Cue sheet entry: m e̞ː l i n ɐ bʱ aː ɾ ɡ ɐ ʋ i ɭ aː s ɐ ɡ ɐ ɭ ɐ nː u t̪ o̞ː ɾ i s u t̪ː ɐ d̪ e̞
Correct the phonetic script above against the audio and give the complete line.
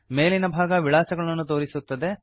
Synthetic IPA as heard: m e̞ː l i n ɐ bʱ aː ɡ ɐ ʋ i ɭ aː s ɐ ɡ ɐ ɭ ɐ nː u t̪ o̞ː ɾ i s u t̪ː ɐ d̪ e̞